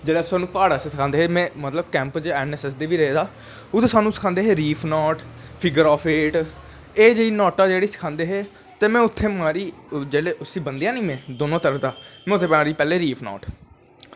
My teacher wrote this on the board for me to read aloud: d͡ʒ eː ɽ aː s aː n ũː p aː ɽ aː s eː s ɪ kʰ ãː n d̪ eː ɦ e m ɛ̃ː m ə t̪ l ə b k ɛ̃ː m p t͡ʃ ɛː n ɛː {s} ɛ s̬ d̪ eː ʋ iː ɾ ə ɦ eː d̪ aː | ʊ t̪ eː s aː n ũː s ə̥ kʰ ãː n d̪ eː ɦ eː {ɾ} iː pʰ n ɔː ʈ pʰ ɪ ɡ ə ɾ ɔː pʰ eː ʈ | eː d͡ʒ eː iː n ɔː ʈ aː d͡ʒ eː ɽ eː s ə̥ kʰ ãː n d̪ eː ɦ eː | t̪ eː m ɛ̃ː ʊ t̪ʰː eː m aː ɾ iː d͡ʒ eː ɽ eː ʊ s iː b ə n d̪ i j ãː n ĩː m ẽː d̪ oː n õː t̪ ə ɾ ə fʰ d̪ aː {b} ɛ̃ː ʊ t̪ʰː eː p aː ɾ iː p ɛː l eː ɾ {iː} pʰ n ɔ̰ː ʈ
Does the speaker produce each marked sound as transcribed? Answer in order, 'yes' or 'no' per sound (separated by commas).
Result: yes, yes, no, yes